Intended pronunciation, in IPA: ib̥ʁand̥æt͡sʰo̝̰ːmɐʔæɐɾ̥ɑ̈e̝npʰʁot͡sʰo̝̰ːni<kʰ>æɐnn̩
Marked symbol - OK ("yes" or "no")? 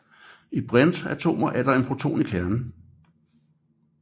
yes